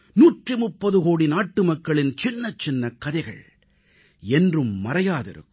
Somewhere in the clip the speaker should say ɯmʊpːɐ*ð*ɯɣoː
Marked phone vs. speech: correct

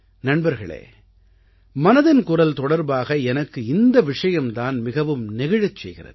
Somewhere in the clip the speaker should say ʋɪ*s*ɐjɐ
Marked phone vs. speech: incorrect: ʂ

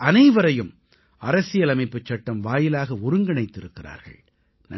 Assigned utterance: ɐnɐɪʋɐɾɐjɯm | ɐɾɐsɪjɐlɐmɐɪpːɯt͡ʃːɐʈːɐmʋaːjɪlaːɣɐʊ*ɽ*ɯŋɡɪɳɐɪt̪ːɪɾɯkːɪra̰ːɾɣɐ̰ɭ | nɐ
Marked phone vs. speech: incorrect: ɾ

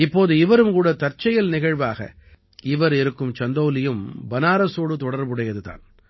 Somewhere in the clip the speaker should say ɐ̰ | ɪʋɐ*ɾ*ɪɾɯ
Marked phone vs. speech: correct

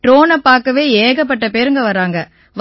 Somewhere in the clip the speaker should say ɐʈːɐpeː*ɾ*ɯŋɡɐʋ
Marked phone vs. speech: correct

